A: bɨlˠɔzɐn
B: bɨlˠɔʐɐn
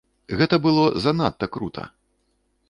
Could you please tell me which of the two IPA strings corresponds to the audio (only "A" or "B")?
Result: A